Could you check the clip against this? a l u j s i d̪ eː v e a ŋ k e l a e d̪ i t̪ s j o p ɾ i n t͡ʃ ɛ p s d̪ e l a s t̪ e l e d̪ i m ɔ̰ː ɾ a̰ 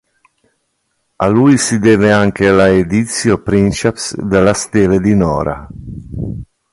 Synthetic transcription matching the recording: a l u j s i d̪ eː v e a ŋ k e l a e d̪ i t̪ s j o p ɾ i n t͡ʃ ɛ p s d̪ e l a s t̪ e l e d̪ i n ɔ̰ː ɾ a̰